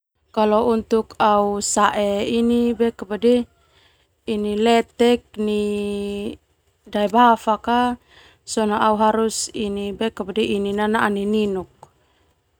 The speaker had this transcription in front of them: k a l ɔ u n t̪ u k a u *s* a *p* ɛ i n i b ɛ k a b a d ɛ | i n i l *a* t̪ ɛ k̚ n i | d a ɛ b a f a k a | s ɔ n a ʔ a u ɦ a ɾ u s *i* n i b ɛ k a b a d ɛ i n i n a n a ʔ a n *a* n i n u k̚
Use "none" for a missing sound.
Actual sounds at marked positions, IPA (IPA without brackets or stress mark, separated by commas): s, ʔ, ɛ, i, i